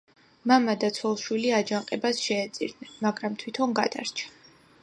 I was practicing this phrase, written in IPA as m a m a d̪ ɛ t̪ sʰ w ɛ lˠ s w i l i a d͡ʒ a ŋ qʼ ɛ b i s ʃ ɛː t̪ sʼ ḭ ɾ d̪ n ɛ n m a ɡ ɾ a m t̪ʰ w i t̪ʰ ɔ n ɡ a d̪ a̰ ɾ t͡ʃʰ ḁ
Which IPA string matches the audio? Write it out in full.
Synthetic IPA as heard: m a m a d̪ a t̪ sʰ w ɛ lˠ ʃ w i l i a d͡ʒ a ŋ qʼ ɛ b a s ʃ ɛː t̪ sʼ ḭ ɾ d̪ n ɛ n m a ɡ ɾ a m t̪ʰ w i t̪ʰ ɔ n ɡ a d̪ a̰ ɾ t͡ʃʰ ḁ